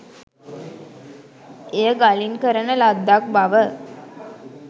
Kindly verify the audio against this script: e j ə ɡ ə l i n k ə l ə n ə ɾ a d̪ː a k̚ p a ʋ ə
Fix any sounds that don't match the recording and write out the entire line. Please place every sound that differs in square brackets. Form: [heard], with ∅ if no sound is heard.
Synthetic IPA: e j ə ɡ [a] l i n k ə [ɾ] ə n ə [l] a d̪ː a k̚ [b] a ʋ ə